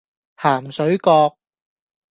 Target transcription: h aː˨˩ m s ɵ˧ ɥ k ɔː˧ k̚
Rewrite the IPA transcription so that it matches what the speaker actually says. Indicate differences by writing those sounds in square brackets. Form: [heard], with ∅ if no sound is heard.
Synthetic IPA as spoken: h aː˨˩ m s [ɵ˨˥] ɥ k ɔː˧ k̚

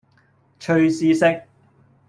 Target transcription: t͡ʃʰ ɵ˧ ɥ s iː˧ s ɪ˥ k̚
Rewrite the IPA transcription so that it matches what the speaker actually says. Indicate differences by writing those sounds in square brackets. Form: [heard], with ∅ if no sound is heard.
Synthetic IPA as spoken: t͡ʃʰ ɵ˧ ɥ s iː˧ s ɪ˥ k̚

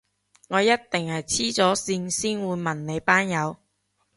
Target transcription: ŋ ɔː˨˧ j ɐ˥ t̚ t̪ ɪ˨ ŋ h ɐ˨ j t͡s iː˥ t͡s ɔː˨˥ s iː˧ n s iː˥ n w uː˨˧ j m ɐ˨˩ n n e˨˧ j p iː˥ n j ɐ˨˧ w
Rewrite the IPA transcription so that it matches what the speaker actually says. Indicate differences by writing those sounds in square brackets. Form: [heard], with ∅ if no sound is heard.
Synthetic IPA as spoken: ŋ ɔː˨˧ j ɐ˥ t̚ t̪ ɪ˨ ŋ h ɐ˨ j [t͡sʰ] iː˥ t͡s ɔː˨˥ s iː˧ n s iː˥ n w uː˨˧ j m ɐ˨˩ n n e˨˧ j p [aː˥] n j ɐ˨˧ w

